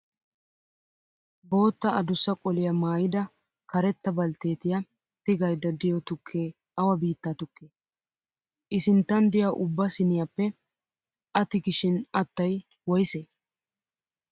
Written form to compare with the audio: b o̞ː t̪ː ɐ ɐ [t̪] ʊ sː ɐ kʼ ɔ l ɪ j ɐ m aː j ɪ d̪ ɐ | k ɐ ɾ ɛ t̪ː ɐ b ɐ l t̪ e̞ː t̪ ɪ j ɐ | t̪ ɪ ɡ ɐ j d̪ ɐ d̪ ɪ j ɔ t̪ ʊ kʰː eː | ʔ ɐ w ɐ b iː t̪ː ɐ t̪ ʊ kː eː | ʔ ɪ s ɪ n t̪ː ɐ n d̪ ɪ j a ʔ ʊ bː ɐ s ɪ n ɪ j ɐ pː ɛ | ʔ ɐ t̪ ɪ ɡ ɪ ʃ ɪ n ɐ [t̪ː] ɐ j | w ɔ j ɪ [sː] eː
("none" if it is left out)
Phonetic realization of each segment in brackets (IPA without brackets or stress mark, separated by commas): d̪, t̪ː, s